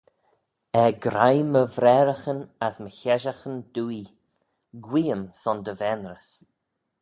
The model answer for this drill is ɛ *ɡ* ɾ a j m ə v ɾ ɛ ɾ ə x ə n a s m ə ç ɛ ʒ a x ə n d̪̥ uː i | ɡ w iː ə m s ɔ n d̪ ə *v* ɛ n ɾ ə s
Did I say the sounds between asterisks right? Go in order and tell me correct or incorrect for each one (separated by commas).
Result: correct, correct